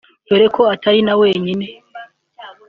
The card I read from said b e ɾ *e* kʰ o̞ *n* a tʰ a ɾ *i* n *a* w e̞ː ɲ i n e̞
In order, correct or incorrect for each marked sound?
correct, incorrect: none, correct, correct

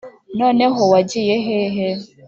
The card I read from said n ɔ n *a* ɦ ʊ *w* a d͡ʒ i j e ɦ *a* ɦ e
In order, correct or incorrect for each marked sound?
incorrect: e, correct, incorrect: e

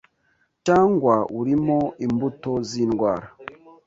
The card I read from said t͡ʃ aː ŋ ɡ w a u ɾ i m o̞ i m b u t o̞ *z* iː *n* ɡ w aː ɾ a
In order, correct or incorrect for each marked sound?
correct, correct

